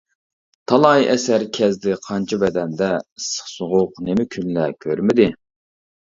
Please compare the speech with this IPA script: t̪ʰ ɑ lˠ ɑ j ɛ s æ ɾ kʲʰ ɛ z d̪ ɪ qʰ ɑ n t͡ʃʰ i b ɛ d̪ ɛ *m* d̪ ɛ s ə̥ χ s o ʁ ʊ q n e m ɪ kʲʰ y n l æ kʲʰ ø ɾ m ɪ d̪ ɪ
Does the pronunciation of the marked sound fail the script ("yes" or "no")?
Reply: yes